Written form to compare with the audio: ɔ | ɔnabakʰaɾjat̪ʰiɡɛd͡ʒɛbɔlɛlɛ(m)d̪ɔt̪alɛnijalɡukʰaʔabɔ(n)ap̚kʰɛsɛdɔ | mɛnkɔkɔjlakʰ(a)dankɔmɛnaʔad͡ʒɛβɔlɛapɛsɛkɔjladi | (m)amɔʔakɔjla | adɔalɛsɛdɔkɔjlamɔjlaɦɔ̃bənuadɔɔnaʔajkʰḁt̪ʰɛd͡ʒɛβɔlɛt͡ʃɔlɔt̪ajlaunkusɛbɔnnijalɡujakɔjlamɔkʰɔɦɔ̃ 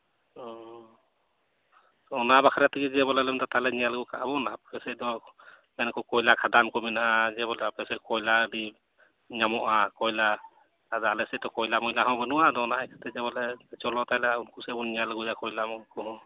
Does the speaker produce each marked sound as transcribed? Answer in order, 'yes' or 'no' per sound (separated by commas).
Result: yes, yes, yes, no